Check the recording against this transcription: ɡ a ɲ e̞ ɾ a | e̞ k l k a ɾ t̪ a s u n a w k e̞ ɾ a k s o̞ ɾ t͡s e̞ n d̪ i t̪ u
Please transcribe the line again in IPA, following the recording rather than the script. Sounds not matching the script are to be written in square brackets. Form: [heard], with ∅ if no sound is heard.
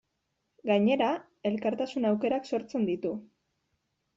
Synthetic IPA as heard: ɡ a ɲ e̞ ɾ a | e̞ [∅] l k a ɾ t̪ a s u n a w k e̞ ɾ a k s o̞ ɾ t͡s e̞ n d̪ i t̪ u